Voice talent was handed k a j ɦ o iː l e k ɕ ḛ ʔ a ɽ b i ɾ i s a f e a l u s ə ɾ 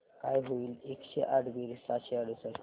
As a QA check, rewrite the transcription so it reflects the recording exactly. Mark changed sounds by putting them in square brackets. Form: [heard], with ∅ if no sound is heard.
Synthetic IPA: k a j ɦ o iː l e k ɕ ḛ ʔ a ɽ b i ɾ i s a [ɕ] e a [ɽ] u s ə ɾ